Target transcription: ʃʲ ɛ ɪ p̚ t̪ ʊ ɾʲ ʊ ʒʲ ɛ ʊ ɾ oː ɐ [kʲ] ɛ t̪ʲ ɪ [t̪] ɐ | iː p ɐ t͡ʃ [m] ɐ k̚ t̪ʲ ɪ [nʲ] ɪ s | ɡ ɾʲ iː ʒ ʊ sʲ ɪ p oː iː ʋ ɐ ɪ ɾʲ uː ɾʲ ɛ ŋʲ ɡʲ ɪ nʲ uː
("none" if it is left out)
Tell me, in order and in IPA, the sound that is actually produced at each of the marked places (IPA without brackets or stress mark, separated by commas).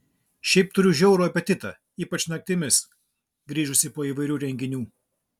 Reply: pʲ, t̪, n, mʲ